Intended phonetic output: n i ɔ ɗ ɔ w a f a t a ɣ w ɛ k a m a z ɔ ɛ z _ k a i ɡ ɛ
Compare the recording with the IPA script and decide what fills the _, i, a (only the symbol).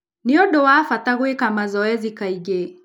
i